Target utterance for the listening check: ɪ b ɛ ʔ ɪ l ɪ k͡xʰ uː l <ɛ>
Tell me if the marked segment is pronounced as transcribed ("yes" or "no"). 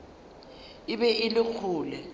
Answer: yes